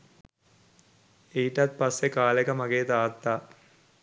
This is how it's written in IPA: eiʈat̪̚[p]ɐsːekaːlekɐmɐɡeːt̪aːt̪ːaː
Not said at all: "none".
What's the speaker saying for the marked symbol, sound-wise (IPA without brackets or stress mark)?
p